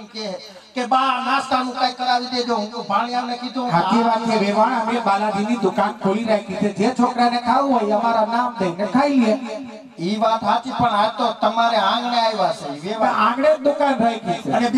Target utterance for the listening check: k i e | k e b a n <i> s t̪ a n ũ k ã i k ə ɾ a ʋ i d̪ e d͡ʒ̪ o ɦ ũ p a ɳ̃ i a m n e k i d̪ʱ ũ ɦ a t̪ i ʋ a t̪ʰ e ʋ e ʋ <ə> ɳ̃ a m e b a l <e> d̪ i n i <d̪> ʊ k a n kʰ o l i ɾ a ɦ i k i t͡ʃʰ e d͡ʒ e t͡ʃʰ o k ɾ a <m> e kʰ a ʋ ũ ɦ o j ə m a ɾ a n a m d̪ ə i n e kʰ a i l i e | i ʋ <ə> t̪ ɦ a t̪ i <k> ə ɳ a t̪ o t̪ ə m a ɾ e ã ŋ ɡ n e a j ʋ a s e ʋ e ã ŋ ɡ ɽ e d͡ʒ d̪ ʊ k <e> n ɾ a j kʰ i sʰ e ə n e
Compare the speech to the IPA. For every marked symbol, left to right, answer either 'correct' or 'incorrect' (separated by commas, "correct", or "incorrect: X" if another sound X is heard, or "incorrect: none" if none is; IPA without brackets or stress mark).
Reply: incorrect: a, incorrect: a, incorrect: a, correct, incorrect: n, incorrect: a, incorrect: p, incorrect: a